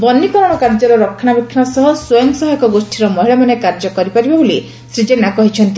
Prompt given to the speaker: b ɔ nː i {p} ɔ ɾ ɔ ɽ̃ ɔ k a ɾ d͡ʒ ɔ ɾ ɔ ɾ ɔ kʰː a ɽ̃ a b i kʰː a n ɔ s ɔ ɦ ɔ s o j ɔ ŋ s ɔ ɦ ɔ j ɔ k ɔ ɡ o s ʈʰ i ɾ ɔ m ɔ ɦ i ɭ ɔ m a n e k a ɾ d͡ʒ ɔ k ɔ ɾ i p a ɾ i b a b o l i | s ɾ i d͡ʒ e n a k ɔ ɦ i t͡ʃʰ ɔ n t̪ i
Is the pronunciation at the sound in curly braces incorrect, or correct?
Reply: incorrect